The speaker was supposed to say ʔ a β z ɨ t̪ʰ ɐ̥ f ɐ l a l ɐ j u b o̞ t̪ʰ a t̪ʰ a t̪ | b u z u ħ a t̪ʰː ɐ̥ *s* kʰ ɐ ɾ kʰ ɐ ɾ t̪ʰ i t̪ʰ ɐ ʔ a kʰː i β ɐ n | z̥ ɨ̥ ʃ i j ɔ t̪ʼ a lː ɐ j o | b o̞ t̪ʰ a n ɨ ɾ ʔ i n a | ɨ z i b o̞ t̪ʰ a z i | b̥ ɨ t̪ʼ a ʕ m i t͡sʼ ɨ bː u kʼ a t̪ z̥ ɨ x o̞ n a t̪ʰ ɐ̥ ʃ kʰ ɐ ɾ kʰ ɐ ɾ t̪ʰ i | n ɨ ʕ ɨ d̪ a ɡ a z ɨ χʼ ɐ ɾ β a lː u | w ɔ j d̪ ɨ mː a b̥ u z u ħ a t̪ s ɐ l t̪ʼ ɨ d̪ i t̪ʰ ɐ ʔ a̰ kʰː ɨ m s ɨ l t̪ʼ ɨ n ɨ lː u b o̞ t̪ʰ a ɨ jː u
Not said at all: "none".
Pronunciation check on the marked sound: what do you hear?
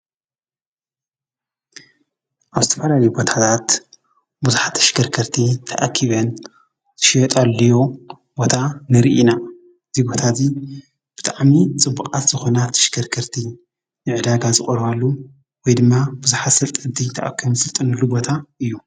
ʃ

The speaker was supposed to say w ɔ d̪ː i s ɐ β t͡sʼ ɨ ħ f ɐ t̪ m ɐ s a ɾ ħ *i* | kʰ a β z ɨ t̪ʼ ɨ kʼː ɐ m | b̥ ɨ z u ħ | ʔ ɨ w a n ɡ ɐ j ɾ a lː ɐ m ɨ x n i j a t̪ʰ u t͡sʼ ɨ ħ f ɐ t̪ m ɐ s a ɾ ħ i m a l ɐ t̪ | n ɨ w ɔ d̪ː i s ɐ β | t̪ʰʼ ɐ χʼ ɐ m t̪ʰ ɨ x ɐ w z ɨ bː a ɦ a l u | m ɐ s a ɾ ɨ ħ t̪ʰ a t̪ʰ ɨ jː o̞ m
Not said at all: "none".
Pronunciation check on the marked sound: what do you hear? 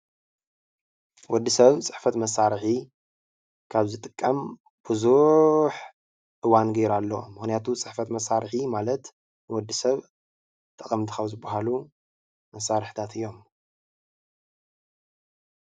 i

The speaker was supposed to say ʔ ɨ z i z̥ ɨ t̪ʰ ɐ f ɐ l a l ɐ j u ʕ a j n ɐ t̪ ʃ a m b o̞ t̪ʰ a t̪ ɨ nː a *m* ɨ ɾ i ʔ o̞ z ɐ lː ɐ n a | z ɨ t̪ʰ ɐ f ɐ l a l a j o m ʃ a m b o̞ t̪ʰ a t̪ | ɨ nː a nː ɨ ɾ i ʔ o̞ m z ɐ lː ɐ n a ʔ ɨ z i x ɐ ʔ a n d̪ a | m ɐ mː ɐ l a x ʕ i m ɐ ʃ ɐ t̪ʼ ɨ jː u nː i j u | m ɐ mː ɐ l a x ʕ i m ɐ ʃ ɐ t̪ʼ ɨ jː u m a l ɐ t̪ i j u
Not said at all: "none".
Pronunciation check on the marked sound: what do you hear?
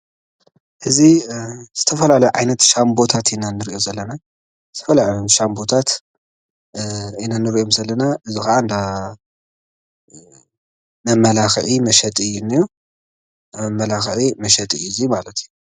n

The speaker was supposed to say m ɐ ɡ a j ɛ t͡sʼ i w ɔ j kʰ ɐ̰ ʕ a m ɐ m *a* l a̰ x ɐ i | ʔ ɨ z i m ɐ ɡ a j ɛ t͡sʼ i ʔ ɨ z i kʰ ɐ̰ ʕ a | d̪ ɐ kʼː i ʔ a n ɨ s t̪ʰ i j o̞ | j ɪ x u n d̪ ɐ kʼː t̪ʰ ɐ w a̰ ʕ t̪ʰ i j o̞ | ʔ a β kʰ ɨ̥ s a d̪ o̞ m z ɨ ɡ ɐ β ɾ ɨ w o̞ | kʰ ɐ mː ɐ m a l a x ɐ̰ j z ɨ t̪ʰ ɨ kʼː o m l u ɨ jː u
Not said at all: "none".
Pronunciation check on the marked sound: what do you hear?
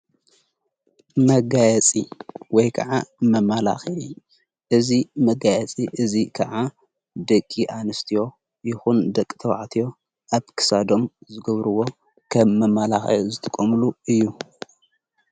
a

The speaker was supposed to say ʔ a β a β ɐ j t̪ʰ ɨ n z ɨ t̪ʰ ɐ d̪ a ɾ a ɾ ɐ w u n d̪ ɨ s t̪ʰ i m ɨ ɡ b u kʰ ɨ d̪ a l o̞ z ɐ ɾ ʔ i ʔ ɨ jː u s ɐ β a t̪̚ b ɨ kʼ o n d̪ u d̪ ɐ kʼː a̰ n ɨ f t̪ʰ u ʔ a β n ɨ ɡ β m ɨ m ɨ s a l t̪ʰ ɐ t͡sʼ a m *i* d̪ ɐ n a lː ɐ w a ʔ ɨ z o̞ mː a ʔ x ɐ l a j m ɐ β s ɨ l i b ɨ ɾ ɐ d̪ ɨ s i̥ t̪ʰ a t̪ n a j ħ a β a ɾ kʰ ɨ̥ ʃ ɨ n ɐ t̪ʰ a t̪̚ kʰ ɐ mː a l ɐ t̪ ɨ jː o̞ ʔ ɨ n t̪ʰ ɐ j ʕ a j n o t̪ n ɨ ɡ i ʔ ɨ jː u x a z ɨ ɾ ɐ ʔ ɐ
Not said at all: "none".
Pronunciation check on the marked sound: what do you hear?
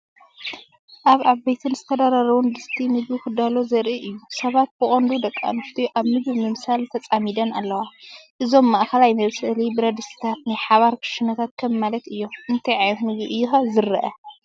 i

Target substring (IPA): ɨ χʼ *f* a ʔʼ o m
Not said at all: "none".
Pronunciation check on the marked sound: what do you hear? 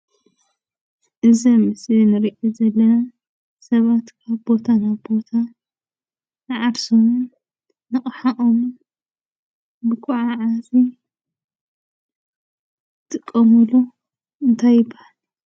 ħ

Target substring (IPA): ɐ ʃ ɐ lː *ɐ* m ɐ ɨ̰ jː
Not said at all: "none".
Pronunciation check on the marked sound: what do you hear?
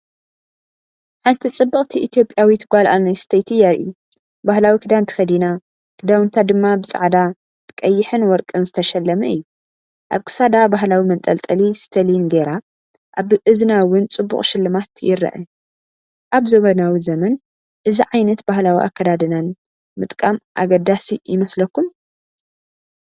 ɐ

